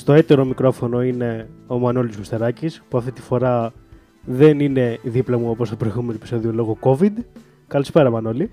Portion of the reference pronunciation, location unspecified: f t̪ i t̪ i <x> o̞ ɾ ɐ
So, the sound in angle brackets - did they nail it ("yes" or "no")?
no